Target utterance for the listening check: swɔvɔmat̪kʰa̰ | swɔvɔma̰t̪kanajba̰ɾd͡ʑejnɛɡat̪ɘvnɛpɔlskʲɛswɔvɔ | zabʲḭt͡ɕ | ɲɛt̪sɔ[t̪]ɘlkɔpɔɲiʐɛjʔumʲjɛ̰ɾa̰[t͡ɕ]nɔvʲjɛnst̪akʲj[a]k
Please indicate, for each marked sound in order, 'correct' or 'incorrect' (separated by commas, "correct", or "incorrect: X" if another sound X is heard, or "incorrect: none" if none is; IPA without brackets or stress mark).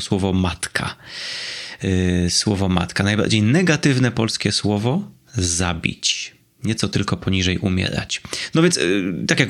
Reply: correct, correct, correct